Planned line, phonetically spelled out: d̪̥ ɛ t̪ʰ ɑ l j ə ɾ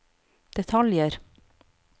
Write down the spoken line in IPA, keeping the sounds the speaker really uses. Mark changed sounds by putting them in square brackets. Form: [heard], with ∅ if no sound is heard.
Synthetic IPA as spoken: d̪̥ ɛ t̪ʰ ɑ l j ə ɾ